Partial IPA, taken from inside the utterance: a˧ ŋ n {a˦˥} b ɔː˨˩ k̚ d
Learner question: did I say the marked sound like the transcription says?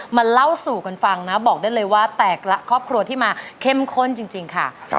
yes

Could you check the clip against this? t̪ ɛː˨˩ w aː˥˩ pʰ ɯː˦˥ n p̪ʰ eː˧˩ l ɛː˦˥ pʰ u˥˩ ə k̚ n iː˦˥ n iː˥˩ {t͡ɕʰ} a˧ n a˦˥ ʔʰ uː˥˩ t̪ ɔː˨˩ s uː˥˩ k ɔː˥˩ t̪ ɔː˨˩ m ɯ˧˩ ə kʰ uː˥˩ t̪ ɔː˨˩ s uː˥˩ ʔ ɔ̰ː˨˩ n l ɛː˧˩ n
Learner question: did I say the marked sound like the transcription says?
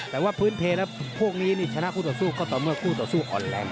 yes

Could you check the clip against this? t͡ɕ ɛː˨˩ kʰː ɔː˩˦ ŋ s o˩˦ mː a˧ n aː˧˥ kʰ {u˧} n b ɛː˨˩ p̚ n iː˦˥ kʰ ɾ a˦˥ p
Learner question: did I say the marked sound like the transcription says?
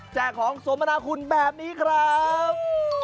yes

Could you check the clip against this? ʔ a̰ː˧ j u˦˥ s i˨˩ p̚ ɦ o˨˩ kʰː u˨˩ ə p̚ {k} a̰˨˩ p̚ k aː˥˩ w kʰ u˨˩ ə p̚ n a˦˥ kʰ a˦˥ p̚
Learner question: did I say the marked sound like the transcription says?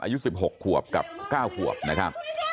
yes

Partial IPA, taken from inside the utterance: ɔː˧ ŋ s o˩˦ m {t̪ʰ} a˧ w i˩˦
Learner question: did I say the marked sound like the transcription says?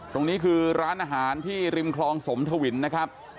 yes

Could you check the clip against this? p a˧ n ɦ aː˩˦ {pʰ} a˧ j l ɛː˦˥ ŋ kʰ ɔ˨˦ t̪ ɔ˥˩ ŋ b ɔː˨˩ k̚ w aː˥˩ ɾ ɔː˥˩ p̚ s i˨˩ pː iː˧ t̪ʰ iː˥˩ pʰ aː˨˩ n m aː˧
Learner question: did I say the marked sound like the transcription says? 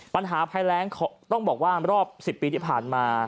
yes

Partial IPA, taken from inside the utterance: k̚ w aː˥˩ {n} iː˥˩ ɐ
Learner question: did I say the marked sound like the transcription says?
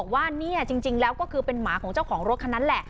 yes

